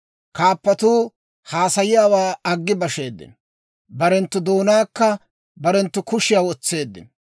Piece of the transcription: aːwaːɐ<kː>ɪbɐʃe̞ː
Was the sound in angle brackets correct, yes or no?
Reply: no